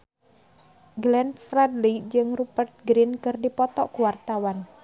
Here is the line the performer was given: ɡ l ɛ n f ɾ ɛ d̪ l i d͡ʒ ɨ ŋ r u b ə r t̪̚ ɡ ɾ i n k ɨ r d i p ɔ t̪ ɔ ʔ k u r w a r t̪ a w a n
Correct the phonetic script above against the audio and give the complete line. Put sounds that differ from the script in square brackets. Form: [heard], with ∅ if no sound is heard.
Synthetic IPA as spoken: ɡ l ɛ n f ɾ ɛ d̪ l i d͡ʒ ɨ ŋ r u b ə r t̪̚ ɡ ɾ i n k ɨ r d i p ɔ t̪ ɔ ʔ k u [∅] w a r t̪ a w a n